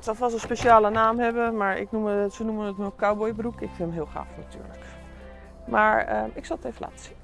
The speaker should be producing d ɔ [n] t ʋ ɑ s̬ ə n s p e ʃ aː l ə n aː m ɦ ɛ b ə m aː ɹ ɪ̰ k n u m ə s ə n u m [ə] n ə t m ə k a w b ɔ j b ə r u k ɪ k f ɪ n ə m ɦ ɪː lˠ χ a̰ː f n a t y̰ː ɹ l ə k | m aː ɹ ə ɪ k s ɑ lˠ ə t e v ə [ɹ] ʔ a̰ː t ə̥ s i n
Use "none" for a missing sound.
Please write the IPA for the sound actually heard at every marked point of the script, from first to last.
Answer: none, ə, l

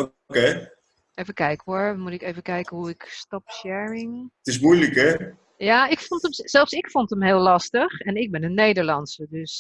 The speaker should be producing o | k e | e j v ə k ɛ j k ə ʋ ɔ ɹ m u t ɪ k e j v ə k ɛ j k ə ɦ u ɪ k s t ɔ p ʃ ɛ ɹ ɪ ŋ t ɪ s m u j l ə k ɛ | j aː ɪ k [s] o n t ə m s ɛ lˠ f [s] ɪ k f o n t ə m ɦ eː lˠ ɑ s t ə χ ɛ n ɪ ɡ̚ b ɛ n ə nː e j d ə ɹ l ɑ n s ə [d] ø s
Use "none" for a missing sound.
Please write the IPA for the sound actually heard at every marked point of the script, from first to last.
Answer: f, s, d

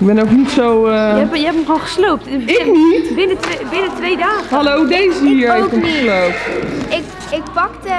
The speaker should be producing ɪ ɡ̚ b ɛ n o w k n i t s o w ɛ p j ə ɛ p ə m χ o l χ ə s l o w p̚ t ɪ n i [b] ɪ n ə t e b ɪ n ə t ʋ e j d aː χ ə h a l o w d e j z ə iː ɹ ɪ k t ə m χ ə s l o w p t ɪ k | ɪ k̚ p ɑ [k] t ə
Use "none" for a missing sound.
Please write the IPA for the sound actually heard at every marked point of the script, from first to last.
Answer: b, k

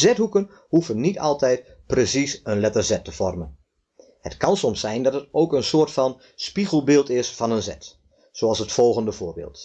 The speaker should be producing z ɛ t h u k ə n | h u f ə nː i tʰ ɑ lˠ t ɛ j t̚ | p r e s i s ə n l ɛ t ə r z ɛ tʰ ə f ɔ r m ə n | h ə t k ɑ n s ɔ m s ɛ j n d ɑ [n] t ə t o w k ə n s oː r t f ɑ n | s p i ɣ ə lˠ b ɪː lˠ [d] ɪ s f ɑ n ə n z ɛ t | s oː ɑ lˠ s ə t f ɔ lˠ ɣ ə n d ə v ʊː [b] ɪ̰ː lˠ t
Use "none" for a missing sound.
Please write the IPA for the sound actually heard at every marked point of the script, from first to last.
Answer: none, t, b

